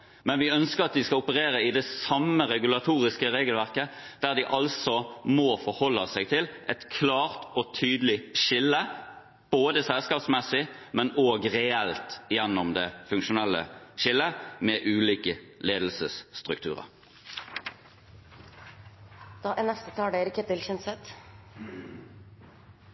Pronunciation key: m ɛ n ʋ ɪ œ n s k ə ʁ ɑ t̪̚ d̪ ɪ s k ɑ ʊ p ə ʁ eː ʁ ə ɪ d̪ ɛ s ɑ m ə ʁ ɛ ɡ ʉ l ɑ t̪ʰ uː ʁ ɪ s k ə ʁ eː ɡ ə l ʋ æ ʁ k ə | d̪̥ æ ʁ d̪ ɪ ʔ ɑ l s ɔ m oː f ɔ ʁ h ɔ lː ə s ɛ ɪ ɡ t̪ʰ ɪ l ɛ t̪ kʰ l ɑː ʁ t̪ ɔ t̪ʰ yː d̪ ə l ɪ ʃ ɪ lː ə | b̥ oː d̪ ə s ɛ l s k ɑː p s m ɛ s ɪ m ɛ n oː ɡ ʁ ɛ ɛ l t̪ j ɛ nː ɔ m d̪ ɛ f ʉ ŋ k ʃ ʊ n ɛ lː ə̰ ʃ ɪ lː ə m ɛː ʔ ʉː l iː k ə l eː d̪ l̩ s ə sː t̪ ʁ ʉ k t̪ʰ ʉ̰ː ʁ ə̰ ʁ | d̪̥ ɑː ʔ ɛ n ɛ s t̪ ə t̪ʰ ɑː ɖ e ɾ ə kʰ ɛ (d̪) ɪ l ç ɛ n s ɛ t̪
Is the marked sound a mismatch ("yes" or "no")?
yes